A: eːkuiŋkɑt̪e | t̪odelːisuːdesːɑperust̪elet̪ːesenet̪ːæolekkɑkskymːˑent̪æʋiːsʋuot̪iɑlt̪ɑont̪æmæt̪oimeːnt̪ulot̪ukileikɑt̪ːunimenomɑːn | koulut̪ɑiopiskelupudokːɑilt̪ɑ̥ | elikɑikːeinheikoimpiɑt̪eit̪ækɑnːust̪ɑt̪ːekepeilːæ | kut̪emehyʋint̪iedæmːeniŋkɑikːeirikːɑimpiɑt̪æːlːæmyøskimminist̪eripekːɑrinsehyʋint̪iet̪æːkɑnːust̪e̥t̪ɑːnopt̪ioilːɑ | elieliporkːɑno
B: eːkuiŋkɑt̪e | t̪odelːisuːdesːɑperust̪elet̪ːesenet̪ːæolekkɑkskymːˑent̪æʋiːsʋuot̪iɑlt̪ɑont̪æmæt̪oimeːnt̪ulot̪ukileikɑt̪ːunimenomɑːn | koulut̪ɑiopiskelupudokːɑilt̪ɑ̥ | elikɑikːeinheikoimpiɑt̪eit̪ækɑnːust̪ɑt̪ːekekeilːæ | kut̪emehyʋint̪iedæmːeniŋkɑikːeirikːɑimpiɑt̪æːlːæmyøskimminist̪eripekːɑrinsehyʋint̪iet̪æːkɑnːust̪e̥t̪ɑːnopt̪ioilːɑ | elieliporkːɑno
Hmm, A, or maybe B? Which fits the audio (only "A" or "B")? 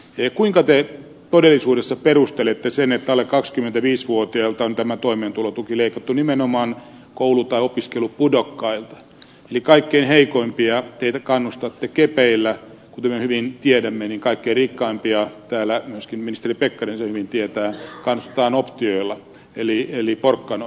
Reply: A